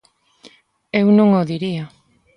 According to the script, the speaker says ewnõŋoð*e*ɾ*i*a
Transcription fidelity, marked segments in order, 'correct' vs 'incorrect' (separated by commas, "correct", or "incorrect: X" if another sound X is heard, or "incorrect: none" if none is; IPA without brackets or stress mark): incorrect: i, correct